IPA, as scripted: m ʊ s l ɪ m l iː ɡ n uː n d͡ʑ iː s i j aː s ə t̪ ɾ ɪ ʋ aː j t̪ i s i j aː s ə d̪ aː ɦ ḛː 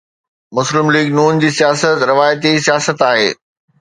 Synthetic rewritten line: m ʊ s l ɪ m l iː ɡ n uː n d͡ʑ iː s i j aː s ə t̪ ɾ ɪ ʋ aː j t̪ i s i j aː s ə t̪ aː ɦ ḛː